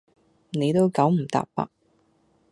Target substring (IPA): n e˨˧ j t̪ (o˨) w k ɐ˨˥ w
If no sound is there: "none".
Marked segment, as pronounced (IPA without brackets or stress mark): o˥